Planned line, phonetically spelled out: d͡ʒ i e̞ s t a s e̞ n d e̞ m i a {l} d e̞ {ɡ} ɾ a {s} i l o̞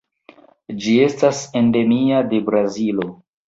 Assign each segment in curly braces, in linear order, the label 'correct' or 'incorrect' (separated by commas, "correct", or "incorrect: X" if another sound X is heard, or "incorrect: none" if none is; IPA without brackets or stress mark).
incorrect: none, incorrect: b, incorrect: z